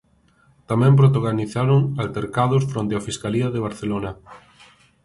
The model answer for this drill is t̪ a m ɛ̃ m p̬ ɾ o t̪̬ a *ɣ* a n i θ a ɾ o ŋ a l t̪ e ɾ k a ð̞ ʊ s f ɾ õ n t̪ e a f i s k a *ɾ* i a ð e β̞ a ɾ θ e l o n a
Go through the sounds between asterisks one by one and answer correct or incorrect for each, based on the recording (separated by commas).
correct, incorrect